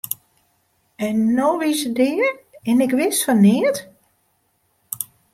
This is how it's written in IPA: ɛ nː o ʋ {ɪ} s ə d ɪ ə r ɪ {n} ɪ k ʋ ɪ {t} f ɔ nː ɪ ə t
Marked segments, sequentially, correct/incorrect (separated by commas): incorrect, correct, incorrect